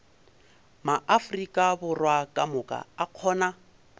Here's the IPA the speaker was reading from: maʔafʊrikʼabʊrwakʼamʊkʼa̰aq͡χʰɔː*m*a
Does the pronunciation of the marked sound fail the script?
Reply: yes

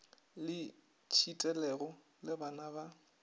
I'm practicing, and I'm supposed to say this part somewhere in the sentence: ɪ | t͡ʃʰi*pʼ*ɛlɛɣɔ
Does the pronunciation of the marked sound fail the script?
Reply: yes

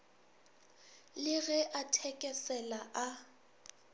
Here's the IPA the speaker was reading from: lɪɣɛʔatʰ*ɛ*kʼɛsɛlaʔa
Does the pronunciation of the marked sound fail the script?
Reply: no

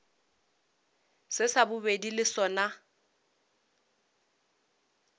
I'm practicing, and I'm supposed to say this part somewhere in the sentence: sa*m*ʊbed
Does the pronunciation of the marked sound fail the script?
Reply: yes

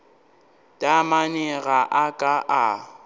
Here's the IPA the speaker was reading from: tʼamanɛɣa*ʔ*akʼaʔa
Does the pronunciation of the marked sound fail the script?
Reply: no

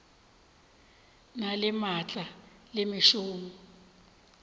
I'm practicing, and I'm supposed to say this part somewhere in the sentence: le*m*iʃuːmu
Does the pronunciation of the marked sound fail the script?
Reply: no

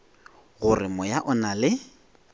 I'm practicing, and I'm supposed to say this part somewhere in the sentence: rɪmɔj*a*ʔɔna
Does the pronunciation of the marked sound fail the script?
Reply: no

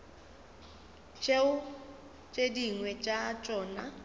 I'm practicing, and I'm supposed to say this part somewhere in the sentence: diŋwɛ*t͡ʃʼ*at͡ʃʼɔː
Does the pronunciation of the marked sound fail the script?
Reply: no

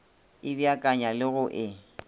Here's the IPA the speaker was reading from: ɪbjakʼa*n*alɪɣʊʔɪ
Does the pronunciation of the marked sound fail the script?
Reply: yes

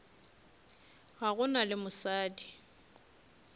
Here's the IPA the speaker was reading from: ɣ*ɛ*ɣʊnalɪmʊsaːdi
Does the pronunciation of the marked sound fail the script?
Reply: yes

